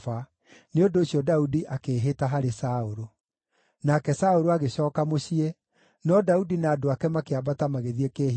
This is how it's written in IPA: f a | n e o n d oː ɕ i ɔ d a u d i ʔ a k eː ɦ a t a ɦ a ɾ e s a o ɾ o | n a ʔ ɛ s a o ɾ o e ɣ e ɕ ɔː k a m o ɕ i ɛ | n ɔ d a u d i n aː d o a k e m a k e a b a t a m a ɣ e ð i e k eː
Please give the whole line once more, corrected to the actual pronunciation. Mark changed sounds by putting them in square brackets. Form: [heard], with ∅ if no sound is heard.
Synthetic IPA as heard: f a | n e o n d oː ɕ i ɔ d a u d i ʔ a k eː ɦ [e] t a ɦ a ɾ e s a o ɾ o | n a [k] ɛ s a o ɾ o [a] ɣ e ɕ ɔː k a m o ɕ i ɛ | n ɔ d a u d i n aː d o a k [ɛ] m a k e a b a t a m a ɣ e ð i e k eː